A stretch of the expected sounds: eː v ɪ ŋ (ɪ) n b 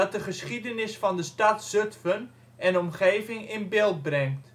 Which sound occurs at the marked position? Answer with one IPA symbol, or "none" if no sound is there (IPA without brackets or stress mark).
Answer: ɪ